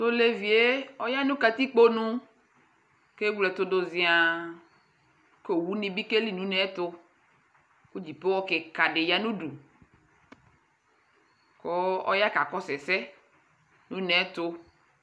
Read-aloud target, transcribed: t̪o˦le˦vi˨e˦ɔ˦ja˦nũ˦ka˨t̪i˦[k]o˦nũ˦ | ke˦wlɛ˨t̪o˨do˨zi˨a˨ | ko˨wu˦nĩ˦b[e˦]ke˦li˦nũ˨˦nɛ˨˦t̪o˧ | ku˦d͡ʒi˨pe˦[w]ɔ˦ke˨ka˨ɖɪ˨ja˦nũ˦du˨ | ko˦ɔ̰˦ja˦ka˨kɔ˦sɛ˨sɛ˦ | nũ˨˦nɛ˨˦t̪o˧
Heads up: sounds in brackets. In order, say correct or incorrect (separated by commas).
incorrect, incorrect, correct